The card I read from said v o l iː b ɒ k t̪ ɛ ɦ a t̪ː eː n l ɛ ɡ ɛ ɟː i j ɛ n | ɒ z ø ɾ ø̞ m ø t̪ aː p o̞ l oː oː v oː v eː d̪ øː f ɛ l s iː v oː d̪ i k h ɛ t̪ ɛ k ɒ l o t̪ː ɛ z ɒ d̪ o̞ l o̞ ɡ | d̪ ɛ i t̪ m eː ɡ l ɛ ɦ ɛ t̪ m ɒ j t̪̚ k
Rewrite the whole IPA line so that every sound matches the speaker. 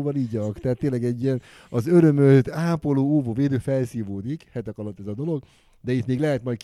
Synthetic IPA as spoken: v ɒ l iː ɟ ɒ k t̪ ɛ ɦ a t̪ː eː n l ɛ ɡ ɛ ɟː i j ɛ n | ɒ z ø ɾ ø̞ m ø t̪ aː p o̞ l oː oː v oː v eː d̪ øː f ɛ l s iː v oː d̪ i k h ɛ t̪ ɛ k ɒ l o t̪ː ɛ z ɒ d̪ o̞ l o̞ ɡ | d̪ ɛ i t̪ m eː ɡ l ɛ ɦ ɛ t̪ m ɒ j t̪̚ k